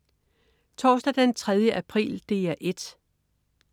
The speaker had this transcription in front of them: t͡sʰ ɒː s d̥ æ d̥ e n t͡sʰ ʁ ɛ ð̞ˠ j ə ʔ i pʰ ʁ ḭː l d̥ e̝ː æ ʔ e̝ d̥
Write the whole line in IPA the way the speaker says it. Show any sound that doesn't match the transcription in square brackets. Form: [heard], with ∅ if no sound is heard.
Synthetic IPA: t͡sʰ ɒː s d̥ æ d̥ e n t͡sʰ ʁ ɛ ð̞ˠ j ə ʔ [æ] pʰ ʁ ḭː l d̥ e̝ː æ ʔ e̝ d̥